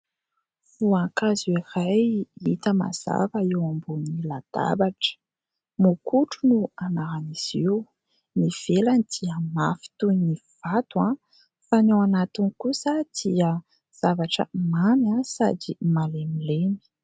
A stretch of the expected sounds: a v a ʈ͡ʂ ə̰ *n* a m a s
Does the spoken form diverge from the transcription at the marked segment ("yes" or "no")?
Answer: yes